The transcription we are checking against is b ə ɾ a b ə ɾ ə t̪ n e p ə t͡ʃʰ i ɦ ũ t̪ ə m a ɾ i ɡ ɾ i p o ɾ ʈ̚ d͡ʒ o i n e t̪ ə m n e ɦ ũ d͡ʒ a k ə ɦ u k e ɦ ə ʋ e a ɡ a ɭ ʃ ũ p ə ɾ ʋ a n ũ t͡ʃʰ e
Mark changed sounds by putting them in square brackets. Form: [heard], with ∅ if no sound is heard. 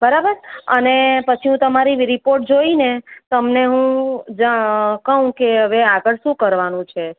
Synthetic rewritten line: b ə ɾ a b ə ɾ ə [∅] n e p ə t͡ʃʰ i ɦ ũ t̪ ə m a ɾ i [∅] ɾ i p o ɾ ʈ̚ d͡ʒ o i n e t̪ ə m n e ɦ ũ d͡ʒ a k ə ɦ [ũ] k e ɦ ə ʋ e a ɡ [ə] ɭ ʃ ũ [k] ə ɾ ʋ a n ũ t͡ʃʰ e